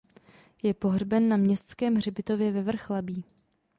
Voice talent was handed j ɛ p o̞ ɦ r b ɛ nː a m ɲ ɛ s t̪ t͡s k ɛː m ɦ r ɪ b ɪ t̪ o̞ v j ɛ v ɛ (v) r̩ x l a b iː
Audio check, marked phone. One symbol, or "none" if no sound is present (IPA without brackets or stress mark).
v